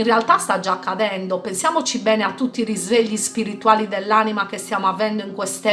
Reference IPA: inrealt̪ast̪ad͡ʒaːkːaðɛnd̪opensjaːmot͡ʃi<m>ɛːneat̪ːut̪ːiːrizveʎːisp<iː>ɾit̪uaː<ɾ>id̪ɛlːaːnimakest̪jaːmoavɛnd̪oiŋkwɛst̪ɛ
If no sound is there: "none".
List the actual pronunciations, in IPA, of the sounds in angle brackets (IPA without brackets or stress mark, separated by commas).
b, i, l